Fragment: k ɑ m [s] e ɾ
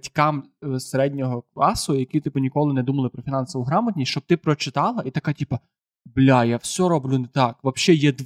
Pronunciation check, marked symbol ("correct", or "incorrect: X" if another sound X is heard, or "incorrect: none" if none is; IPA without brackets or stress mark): correct